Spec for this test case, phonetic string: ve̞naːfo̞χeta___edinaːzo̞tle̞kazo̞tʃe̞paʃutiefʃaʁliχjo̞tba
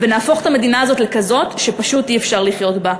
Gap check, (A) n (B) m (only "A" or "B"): B